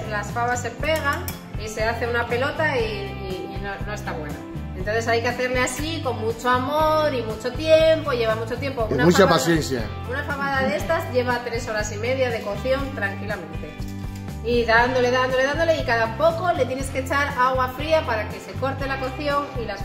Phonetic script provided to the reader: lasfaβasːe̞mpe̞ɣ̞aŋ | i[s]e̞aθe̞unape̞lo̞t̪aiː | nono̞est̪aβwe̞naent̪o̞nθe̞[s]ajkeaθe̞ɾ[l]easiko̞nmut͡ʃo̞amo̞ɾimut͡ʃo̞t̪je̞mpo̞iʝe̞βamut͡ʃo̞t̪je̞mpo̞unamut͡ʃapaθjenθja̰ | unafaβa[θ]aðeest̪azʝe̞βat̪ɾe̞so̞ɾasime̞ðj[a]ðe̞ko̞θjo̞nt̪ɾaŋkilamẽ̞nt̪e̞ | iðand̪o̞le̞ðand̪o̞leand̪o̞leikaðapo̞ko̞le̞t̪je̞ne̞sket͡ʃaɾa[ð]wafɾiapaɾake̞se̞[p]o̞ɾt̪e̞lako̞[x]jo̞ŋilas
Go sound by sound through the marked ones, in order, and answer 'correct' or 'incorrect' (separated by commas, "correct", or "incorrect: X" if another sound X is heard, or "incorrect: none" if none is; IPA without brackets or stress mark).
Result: correct, correct, correct, incorrect: ð, correct, incorrect: ɣ, incorrect: k, incorrect: θ